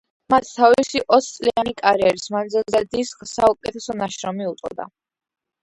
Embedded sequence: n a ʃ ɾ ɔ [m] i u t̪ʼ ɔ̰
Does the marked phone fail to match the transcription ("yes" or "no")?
no